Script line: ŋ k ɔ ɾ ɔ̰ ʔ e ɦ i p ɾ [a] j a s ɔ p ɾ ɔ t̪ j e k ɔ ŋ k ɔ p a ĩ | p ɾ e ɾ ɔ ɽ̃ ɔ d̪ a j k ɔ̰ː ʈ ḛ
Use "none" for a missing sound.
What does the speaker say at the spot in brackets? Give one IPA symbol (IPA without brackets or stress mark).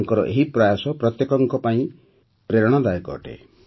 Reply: a